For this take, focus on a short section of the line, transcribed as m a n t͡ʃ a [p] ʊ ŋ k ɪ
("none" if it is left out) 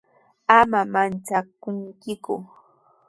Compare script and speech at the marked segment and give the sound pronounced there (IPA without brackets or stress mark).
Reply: k